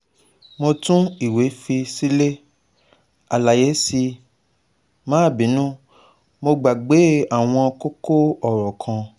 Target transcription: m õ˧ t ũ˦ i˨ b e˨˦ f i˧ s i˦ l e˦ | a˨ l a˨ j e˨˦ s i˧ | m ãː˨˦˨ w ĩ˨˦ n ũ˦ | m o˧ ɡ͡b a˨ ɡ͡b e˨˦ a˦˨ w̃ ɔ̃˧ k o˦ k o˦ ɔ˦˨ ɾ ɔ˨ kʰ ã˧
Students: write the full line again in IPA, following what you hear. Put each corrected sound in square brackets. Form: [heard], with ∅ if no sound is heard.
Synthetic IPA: m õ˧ t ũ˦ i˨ [w] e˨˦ f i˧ s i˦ l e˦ | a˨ l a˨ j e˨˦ s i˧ | m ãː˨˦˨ [b] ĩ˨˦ n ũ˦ | m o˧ ɡ͡b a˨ ɡ͡b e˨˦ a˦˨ w̃ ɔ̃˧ k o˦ k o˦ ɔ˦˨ ɾ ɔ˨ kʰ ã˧